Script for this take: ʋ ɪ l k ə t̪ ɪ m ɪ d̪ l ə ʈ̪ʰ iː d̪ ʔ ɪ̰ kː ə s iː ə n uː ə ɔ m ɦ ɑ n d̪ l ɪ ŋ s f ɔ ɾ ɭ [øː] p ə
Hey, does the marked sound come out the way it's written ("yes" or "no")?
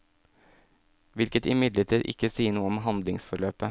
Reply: yes